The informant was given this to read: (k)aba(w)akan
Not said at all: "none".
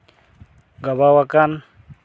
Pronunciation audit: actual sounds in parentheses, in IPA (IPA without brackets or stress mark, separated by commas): ɡ, w